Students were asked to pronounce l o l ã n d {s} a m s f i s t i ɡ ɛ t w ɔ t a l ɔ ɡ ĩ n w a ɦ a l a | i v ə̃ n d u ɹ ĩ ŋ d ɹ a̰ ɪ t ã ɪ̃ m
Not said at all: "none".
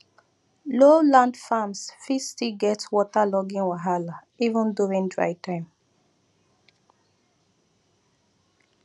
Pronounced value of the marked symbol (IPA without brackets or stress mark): f